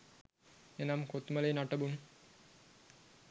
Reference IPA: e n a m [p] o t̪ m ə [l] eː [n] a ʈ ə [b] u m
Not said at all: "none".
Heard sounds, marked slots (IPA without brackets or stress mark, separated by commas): k, l, n, b